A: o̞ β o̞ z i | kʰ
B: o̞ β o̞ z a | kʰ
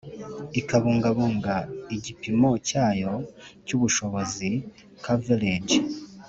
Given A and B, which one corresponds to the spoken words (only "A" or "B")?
A